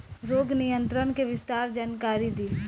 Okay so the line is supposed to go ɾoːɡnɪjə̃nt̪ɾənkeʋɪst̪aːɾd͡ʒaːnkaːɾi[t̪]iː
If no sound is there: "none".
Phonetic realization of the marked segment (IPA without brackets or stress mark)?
d̪